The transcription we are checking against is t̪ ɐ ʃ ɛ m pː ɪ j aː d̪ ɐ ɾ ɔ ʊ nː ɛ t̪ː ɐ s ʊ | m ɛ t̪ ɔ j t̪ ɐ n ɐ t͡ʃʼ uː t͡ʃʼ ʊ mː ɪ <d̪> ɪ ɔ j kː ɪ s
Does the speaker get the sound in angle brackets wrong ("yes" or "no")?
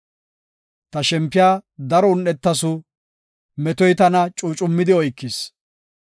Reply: no